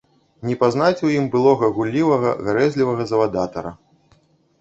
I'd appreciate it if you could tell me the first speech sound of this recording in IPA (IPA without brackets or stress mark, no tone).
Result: nʲ